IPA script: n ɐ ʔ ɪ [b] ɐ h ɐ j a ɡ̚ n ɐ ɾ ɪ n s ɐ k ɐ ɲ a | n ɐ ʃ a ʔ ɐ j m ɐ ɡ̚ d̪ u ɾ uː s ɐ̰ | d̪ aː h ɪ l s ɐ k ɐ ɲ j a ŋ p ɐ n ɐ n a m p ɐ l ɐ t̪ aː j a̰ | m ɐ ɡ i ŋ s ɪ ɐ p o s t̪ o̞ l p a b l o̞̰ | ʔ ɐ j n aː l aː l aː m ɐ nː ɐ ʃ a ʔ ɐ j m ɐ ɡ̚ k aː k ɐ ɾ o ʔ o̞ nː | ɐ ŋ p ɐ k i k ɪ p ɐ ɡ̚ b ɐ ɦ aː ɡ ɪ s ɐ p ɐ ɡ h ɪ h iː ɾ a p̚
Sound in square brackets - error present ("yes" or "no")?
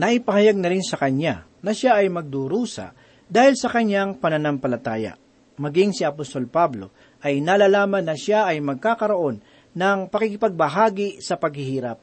yes